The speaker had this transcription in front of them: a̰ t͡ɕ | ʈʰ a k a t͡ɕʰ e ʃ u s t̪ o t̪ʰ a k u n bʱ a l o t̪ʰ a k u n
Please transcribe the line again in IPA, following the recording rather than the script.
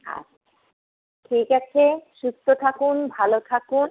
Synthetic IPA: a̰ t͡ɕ | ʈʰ i k a t͡ɕʰ e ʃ u s t̪ o t̪ʰ a k u n bʱ a l o t̪ʰ a k u n

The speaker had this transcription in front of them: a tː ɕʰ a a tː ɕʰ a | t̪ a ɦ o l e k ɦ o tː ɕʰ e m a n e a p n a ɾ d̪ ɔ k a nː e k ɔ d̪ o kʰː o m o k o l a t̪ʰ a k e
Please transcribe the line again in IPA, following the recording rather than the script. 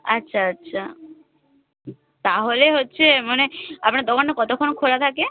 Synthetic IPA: a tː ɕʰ a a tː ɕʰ a | t̪ a ɦ o l e ɦ o tː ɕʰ e m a n e a p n a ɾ d̪ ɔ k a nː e k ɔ t̪ o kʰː o n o kʰ o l a t̪ʰ a k e

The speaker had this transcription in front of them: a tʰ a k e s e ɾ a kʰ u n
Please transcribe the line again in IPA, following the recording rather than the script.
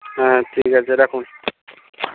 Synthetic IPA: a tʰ i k a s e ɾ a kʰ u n

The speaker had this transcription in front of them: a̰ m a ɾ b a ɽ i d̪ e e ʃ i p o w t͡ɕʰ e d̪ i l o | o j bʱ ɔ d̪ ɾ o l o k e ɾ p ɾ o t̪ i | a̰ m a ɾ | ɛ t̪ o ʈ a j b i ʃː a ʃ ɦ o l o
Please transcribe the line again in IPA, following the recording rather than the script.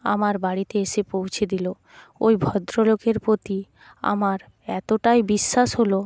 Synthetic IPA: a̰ m a ɾ b a ɽ i t̪ e e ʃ e p o w t͡ɕʰ e d̪ i l o | o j bʱ ɔ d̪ ɾ o l o k e ɾ p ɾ o t̪ i | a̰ m a ɾ | ɛ t̪ o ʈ a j b i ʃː a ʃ ɦ o l o

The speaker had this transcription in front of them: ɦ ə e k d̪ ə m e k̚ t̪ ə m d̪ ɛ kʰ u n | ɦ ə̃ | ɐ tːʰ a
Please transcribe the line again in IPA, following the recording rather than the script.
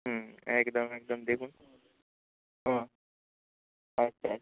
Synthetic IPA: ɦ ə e k d̪ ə m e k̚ d̪ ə m d̪ e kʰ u n | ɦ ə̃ | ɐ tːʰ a

